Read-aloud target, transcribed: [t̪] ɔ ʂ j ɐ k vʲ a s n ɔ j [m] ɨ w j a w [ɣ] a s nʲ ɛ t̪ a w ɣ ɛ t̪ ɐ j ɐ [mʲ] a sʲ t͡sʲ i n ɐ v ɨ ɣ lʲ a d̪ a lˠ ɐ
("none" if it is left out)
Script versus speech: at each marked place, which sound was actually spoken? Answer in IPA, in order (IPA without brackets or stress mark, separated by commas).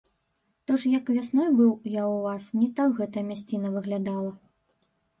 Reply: t̪, b, v, mʲ